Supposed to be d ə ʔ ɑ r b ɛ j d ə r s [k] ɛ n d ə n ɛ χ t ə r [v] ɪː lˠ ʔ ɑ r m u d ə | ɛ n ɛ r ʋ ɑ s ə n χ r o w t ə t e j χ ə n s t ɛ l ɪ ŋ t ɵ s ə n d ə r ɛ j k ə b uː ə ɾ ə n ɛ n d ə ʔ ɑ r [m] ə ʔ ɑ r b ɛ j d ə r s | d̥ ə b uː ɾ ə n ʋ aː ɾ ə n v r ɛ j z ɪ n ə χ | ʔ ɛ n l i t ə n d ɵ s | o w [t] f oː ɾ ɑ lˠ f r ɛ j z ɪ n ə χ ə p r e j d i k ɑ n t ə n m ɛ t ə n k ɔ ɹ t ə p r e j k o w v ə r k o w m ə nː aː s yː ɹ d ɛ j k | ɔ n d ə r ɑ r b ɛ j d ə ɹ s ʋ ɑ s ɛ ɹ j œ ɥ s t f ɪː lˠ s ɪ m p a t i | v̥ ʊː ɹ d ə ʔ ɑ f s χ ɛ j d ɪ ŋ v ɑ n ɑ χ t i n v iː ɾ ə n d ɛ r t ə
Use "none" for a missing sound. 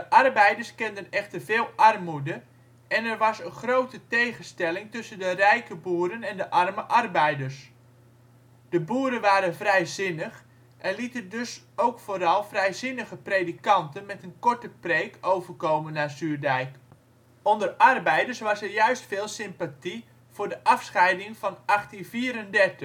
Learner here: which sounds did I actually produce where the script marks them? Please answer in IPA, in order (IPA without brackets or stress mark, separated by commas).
k, v, m, k